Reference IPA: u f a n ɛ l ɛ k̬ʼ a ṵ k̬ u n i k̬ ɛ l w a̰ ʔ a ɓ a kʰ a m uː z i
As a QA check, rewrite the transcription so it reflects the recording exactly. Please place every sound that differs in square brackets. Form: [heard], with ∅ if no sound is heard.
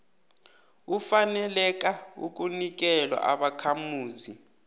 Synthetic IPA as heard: u f a n ɛ l ɛ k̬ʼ a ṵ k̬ u n i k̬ ɛ l w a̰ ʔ a ɓ a kʰ a m uː z i

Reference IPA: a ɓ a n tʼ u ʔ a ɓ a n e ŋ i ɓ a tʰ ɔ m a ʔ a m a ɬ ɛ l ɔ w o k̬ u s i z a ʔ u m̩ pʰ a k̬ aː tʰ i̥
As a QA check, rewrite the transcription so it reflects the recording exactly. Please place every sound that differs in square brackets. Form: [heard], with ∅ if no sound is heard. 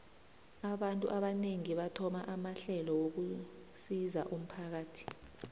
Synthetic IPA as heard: a ɓ a n tʼ u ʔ a ɓ a n e ŋ i ɓ a tʰ ɔ m a ʔ a m a ɬ ɛ l ɔ w o k̬ u s i z a ʔ u m̩ pʰ a k̬ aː tʰ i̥

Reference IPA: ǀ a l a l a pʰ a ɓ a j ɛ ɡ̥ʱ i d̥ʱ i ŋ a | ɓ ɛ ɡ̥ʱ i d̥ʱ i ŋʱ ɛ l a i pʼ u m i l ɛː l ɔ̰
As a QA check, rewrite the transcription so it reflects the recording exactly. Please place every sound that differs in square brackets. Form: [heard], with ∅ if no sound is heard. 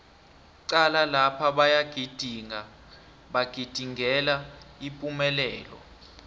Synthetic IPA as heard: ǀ a l a l a pʰ a ɓ a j [a] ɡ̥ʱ i d̥ʱ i ŋ a | ɓ [a] ɡ̥ʱ i d̥ʱ i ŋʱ ɛ l a i pʼ u m [ɛ] l ɛː l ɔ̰

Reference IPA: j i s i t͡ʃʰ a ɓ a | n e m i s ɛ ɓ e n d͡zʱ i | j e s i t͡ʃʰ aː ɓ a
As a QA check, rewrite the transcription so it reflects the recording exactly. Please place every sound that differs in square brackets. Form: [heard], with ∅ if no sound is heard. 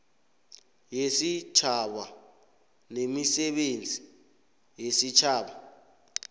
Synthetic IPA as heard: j [e] s i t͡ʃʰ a ɓ a | n e m i s ɛ ɓ e n d͡zʱ i | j e s i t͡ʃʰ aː ɓ a

